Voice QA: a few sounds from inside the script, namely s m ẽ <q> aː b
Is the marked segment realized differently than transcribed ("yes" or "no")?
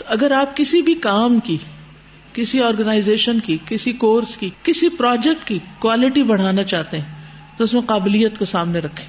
no